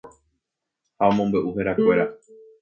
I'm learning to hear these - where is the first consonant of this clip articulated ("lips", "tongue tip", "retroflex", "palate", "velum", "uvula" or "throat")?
throat